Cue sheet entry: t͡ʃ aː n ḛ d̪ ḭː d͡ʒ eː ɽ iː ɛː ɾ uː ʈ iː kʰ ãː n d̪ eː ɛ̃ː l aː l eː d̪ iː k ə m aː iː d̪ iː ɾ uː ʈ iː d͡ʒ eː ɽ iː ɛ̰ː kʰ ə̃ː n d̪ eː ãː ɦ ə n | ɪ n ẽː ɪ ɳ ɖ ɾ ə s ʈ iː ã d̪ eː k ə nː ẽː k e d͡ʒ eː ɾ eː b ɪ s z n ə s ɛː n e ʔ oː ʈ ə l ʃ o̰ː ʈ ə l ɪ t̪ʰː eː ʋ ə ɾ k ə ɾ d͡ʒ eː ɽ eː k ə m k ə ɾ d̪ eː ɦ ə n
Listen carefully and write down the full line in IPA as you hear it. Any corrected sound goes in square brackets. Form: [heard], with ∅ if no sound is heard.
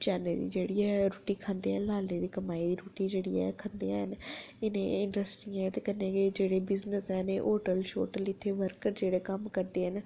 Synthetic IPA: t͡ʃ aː n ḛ d̪ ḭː d͡ʒ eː ɽ iː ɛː ɾ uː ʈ iː kʰ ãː n d̪ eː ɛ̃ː l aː l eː d̪ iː k ə m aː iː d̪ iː ɾ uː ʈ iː d͡ʒ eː ɽ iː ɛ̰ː kʰ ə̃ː n d̪ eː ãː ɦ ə n | ɪ n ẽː ɪ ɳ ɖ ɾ ə s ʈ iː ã [t̪] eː k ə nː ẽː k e d͡ʒ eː [ɽ] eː b ɪ [∅] z n ə s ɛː n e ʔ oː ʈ ə l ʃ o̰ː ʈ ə l ɪ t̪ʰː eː ʋ ə ɾ k ə ɾ d͡ʒ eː ɽ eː k ə m k ə ɾ d̪ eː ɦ ə n